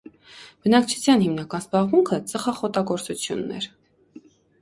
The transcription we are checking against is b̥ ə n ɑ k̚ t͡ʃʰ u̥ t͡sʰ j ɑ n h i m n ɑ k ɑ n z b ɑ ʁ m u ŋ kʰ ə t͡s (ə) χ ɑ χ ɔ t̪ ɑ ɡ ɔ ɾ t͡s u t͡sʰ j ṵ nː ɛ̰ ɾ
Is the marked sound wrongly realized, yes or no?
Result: no